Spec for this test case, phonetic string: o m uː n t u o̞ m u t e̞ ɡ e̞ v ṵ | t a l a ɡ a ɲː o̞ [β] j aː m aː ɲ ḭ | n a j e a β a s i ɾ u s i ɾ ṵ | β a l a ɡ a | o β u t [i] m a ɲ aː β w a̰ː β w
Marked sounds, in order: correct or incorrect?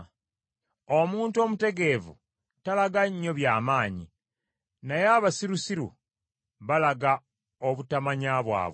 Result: correct, incorrect

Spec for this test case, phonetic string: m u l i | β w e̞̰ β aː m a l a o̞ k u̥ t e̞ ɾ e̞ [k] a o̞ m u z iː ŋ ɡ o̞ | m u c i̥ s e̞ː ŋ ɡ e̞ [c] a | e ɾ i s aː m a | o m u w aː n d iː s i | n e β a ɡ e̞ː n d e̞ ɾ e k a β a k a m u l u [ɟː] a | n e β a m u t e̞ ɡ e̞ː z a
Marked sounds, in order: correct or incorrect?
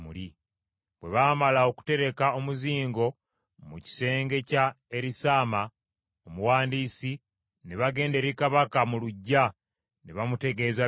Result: correct, correct, correct

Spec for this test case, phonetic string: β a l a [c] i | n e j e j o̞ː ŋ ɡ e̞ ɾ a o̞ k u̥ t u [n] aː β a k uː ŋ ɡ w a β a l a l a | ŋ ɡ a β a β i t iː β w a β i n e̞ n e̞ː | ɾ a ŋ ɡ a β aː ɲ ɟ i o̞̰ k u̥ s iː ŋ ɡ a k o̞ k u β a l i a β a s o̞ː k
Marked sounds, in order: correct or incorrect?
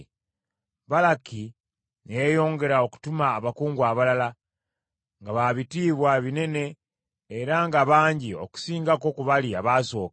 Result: incorrect, incorrect

